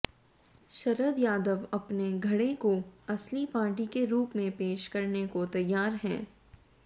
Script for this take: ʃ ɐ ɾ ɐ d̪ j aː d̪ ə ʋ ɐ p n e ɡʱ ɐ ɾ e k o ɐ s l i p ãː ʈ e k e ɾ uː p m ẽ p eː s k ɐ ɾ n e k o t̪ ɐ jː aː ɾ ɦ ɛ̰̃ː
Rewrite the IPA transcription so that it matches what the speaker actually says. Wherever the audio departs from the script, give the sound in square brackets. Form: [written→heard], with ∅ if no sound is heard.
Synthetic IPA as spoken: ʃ ɐ ɾ [ɐ→ə] d̪ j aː d̪ ə ʋ ɐ p n e ɡʱ ɐ [ɾ→ɽ] e k o ɐ s l i p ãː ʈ [e→i] k e ɾ uː p m ẽ p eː [s→ʃ] k ɐ ɾ n e k o t̪ ɐ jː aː ɾ ɦ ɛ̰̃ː